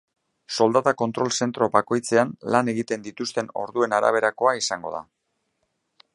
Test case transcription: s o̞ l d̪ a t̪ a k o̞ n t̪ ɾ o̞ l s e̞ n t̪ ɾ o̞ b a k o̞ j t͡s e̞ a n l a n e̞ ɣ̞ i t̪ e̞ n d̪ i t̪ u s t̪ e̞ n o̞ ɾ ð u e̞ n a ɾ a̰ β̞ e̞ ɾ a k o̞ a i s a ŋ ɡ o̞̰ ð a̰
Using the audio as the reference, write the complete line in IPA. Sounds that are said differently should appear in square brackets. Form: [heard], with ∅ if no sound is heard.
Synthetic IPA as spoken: s o̞ l d̪ a t̪ a k o̞ n t̪ ɾ o̞ l s e̞ n t̪ ɾ o̞ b a k o̞ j t͡s e̞ a n l a n e̞ ɣ̞ i t̪ e̞ n d̪ i t̪ u s t̪ e̞ n o̞ ɾ ð u e̞ n a ɾ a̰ β̞ e̞ ɾ a k o̞ a i s a ŋ ɡ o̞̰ ð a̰